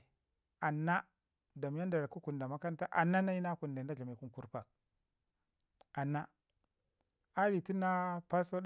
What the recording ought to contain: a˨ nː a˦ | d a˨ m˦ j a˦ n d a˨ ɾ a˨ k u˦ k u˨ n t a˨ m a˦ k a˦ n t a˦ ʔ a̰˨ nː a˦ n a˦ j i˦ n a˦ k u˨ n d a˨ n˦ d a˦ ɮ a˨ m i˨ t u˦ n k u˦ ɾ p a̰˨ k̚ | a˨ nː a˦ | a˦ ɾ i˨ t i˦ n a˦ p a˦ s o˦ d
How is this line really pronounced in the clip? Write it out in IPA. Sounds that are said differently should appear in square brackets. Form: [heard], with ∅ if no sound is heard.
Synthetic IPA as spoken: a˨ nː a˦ | d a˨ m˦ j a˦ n d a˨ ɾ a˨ k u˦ k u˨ n [d] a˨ m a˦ k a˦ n t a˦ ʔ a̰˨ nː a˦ n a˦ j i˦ n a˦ k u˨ n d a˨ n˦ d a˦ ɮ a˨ m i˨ [k] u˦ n k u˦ ɾ p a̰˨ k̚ | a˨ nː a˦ | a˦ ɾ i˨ t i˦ n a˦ p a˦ s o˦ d